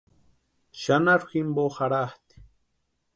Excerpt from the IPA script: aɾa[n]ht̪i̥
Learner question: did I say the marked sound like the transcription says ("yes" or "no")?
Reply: no